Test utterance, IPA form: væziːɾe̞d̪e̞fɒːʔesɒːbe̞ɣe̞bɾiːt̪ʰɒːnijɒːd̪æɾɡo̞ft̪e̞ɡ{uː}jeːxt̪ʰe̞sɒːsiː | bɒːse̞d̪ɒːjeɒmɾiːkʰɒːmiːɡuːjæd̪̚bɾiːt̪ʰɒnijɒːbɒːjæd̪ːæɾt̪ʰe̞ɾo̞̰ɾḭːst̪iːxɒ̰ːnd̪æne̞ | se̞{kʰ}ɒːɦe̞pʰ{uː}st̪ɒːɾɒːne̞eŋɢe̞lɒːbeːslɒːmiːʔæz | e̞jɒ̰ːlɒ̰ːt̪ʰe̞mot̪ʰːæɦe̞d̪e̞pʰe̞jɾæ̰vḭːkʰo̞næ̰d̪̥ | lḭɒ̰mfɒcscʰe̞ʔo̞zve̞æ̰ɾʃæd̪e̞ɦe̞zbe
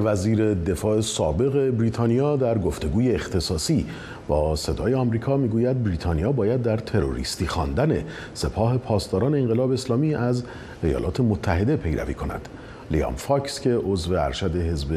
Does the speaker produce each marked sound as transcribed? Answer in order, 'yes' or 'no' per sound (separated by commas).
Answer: yes, no, no